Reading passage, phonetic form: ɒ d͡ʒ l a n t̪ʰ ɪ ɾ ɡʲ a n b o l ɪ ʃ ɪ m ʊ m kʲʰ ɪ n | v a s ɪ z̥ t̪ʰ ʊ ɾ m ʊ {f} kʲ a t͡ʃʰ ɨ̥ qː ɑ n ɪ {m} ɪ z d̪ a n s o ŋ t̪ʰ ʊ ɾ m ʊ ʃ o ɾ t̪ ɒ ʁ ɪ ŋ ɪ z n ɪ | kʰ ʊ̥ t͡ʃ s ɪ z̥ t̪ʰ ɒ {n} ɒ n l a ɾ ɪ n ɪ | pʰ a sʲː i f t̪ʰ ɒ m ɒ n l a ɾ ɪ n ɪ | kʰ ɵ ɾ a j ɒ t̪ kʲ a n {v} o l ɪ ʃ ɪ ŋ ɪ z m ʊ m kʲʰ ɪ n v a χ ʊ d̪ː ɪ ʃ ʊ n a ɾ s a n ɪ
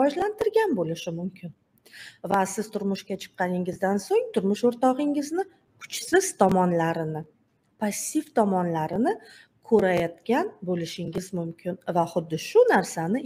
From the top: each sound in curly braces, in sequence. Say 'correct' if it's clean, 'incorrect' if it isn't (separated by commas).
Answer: incorrect, incorrect, incorrect, incorrect